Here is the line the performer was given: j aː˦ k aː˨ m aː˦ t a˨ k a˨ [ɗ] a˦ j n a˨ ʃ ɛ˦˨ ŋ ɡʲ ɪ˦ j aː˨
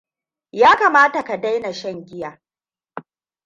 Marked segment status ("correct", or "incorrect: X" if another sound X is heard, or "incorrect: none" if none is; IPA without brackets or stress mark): incorrect: d